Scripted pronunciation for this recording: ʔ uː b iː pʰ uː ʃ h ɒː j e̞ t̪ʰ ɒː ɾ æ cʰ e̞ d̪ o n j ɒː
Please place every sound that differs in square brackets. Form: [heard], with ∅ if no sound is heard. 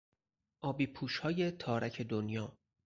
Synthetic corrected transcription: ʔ [ɒː] b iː pʰ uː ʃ h ɒː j e̞ t̪ʰ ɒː ɾ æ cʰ e̞ d̪ o n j ɒː

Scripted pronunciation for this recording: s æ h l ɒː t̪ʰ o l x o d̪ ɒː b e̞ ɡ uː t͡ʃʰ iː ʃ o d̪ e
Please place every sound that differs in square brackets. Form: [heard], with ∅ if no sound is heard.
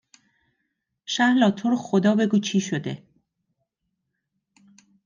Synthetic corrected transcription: [ʃ] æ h l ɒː t̪ʰ o [ɾ] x o d̪ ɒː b e̞ ɡ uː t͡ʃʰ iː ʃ o d̪ e

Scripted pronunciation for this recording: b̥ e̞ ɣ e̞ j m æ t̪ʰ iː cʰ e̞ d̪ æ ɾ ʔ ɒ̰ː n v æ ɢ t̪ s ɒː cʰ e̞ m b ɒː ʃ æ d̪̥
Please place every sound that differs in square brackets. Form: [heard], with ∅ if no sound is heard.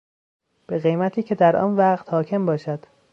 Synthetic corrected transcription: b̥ e̞ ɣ e̞ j m æ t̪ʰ iː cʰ e̞ d̪ æ ɾ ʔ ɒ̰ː n v æ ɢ t̪ [h] ɒː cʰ e̞ m b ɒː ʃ æ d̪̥

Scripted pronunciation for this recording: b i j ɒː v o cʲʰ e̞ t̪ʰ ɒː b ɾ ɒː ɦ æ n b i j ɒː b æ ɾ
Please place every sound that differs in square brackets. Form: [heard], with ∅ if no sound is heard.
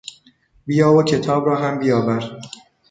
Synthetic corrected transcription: b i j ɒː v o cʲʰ e̞ t̪ʰ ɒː b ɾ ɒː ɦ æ [m] b i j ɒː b æ ɾ

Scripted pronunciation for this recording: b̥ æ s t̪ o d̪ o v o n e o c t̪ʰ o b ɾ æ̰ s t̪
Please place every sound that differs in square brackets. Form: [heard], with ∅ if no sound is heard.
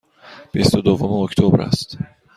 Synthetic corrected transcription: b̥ [i] s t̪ o d̪ o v o [m] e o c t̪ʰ o b ɾ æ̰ s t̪

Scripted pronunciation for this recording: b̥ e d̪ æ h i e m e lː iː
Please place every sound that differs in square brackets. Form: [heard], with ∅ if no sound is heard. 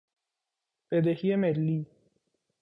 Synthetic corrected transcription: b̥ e d̪ [e] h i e m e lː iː

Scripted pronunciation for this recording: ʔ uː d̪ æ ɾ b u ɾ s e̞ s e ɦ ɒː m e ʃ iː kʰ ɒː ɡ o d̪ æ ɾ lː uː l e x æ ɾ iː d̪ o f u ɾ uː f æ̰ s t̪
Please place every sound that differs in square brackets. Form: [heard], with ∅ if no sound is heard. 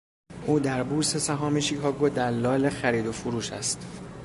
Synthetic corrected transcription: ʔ uː d̪ æ ɾ b u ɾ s e̞ s [æ] ɦ ɒː m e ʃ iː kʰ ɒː ɡ o d̪ æ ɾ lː [ɒː] l e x æ ɾ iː d̪ o f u ɾ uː [ʃ] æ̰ s t̪

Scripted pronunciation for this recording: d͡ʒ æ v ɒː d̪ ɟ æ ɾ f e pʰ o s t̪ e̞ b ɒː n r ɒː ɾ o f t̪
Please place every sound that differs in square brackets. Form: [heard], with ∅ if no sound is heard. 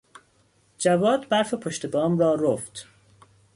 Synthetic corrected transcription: d͡ʒ æ v ɒː d̪ [b] æ ɾ f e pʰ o [ʃ] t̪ e̞ b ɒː [m] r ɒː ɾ o f t̪

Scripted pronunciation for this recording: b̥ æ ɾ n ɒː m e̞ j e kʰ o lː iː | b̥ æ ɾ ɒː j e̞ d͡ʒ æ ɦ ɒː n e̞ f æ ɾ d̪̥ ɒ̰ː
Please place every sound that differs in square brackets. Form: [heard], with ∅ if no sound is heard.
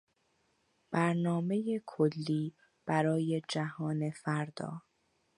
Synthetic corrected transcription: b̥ æ ɾ n ɒː m e̞ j e kʰ o lː iː | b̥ æ ɾ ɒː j e̞ d͡ʒ æ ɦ ɒː n e̞ f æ ɾ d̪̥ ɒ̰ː

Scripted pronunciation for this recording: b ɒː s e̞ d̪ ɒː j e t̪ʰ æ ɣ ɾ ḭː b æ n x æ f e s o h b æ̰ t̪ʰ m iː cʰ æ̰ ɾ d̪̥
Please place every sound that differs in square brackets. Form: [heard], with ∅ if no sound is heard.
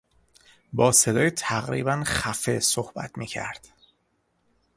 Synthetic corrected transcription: b ɒː s e̞ d̪ ɒː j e t̪ʰ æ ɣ ɾ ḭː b æ n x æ f e s o h b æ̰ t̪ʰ m iː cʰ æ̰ ɾ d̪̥

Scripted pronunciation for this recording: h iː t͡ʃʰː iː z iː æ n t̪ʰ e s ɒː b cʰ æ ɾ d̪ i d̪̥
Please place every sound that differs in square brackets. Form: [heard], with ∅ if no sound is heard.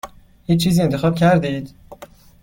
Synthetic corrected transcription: h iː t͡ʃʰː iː z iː [e] n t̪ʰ e [x] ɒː b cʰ æ ɾ d̪ i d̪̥

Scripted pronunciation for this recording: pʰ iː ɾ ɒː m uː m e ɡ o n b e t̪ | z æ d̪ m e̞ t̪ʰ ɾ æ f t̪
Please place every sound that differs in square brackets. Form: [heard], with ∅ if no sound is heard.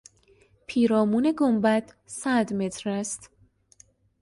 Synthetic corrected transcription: pʰ iː ɾ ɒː m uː [n] e ɡ o [m] b [æ] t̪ | [s] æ d̪ m e̞ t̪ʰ ɾ æ [s] t̪

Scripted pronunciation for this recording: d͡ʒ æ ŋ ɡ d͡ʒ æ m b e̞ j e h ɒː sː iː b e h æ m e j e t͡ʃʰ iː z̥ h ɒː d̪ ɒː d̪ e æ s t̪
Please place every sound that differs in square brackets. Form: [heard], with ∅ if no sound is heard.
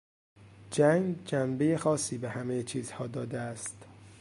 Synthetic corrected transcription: d͡ʒ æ ŋ ɡ d͡ʒ æ m b e̞ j e [x] ɒː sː iː b e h æ m e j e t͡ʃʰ iː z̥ h ɒː d̪ ɒː d̪ e æ s t̪

